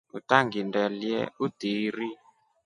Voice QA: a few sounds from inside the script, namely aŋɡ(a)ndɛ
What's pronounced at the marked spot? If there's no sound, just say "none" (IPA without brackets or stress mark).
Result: i